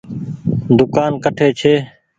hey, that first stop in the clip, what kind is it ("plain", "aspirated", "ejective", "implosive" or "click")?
plain